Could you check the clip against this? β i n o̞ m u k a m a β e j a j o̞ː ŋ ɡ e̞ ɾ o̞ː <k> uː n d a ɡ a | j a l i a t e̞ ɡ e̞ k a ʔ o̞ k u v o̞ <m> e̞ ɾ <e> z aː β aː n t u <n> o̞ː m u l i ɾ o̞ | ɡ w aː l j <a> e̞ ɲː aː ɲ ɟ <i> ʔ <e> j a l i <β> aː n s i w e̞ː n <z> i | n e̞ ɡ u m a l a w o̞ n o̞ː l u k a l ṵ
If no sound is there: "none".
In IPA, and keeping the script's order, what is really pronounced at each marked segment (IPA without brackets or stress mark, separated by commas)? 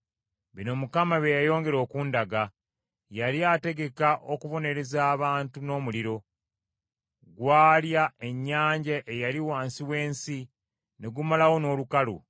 k, n, e, n, a, a, e, w, s